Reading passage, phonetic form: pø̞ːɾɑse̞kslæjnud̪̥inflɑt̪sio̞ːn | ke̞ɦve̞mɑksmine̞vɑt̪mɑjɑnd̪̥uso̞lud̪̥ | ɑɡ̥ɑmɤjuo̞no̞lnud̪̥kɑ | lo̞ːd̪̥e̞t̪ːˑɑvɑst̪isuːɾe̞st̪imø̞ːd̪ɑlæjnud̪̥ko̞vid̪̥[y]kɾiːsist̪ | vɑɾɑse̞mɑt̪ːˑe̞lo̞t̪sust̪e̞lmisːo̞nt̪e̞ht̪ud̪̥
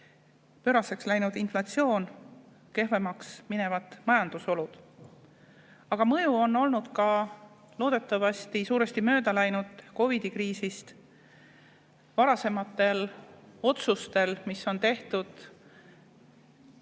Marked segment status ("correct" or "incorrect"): incorrect